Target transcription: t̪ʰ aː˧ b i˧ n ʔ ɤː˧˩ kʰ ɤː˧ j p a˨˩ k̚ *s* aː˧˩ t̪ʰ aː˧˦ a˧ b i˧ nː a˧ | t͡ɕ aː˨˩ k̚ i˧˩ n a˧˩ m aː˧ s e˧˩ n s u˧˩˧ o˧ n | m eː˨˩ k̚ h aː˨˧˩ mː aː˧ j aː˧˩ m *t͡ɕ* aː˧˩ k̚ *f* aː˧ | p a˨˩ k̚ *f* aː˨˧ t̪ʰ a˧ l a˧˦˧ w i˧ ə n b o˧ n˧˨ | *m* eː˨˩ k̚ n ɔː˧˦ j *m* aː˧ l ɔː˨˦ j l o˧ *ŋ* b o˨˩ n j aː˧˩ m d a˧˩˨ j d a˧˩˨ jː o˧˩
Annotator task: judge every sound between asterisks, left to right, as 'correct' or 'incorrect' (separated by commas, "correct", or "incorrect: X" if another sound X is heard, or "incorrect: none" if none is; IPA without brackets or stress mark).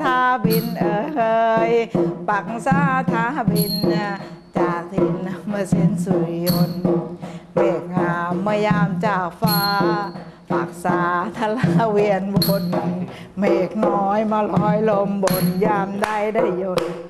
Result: correct, correct, correct, incorrect: s, correct, correct, incorrect: m